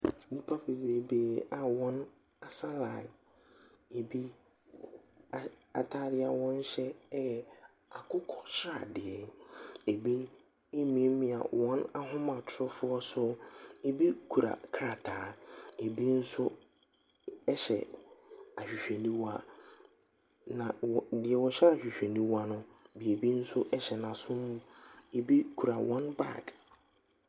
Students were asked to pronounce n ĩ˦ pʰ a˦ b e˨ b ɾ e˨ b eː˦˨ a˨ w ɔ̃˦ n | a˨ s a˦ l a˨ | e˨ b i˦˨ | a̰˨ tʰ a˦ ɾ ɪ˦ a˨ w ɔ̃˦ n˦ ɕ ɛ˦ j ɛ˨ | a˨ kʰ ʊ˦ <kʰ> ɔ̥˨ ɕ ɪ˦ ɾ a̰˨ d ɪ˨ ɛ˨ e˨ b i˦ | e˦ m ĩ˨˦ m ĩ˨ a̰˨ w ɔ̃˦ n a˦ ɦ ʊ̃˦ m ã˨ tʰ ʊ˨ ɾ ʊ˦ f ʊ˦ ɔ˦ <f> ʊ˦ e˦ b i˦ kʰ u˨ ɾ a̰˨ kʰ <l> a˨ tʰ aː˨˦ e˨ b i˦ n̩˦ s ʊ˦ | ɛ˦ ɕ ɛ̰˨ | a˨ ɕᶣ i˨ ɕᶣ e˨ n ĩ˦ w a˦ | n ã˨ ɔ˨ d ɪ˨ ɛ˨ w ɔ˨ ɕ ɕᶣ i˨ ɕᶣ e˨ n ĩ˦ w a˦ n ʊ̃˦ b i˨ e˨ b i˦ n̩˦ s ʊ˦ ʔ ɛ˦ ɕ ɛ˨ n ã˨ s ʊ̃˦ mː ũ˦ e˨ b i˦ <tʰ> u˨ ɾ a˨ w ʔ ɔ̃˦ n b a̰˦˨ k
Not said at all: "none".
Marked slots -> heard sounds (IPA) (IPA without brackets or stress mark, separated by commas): kʰ, s, ɾ, kʰ